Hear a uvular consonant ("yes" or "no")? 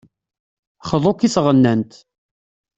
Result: yes